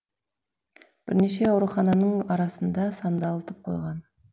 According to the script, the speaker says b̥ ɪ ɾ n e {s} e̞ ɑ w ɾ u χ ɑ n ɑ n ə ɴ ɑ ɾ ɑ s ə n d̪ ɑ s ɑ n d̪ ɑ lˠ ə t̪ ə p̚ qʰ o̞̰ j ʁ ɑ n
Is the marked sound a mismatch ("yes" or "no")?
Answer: yes